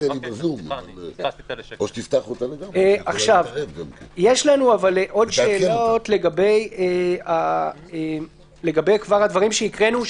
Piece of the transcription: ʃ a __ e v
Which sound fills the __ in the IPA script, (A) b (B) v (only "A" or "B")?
B